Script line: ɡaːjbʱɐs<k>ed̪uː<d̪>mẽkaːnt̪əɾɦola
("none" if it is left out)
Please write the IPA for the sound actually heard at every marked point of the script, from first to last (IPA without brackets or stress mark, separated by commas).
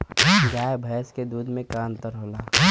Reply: k, d̪